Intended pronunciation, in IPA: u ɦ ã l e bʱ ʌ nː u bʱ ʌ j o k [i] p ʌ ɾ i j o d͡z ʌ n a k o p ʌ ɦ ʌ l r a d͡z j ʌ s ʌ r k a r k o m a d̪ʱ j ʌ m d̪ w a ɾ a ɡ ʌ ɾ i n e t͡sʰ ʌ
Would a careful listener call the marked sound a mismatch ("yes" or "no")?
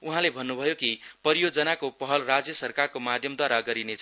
no